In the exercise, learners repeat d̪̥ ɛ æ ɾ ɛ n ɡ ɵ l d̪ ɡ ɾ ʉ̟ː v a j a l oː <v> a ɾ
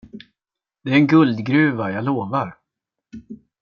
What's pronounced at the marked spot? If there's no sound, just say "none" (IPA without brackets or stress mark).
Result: v